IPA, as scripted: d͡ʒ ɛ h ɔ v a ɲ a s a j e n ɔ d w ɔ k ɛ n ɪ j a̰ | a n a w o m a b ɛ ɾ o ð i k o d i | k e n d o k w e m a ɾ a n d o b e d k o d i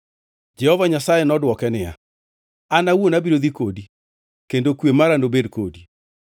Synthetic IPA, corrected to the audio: d͡ʒ ɛ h ɔ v a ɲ a s a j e n ɔ d w ɔ k ɛ n ɪ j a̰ | a n a w o n a b i ɾ o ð i k o d i | k e n d o k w e m a ɾ a n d o b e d k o d i